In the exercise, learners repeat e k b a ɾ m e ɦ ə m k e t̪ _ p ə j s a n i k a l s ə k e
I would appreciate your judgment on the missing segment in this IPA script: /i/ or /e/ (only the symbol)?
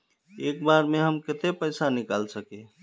e